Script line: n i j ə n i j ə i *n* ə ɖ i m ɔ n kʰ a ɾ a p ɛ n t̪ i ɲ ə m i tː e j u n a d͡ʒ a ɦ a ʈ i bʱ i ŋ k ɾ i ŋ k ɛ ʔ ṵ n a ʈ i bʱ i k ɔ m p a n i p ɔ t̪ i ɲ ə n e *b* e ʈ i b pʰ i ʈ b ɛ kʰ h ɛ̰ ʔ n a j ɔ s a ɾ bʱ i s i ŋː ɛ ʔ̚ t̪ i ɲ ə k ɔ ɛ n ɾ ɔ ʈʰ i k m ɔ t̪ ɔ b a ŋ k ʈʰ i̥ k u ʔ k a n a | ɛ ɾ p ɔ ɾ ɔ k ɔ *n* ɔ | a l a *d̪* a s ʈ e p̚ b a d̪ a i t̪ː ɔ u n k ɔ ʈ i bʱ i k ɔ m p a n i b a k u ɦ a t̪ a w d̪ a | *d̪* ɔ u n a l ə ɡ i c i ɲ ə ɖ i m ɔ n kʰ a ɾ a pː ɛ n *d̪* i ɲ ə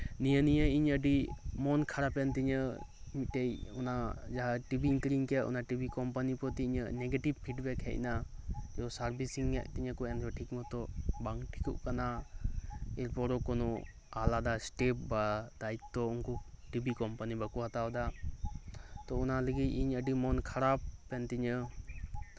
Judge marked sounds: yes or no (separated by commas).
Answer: no, no, yes, yes, no, no